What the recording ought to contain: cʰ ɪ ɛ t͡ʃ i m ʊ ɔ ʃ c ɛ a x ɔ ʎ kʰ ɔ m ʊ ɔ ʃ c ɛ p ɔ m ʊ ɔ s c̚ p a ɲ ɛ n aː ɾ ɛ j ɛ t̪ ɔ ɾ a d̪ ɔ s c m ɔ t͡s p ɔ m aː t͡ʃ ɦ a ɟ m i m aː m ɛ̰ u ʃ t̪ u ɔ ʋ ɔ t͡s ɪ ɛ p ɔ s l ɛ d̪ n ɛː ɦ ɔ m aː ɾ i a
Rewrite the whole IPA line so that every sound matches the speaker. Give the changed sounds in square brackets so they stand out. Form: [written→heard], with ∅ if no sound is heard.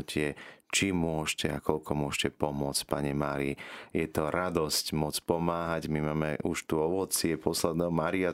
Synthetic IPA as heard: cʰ ɪ ɛ t͡ʃ i m ʊ ɔ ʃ c ɛ a [x→k] ɔ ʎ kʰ ɔ m ʊ ɔ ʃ c ɛ p ɔ m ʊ ɔ [s→t͡s] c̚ p a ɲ ɛ [n→m] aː ɾ [ɛ→i] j ɛ t̪ ɔ ɾ a d̪ ɔ s c m ɔ t͡s p ɔ m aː [t͡ʃ→∅] ɦ a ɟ m i m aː m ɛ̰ u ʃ t̪ u ɔ ʋ ɔ t͡s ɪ ɛ p ɔ s l ɛ d̪ n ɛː ɦ ɔ m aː ɾ i a